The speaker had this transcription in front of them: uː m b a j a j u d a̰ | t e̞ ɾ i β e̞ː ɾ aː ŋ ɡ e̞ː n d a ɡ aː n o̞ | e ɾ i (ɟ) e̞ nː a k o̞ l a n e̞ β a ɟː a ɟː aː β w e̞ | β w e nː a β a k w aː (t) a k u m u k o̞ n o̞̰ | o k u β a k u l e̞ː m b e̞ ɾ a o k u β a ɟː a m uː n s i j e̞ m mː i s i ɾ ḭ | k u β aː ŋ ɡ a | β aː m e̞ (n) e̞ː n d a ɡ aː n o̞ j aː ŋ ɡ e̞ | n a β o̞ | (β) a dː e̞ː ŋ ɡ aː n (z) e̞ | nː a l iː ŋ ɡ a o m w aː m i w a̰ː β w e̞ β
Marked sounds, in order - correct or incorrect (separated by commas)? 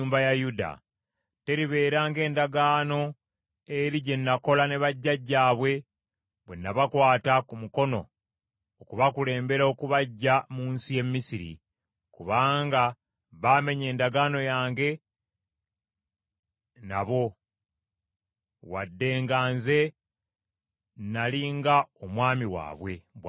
correct, correct, incorrect, incorrect, correct